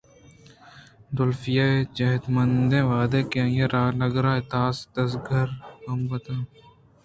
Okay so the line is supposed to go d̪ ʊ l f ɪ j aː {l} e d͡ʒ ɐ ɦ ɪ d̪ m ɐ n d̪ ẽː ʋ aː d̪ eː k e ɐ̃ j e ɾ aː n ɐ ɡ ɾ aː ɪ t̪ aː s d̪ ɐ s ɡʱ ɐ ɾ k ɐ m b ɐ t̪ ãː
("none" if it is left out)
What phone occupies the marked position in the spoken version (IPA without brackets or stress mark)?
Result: none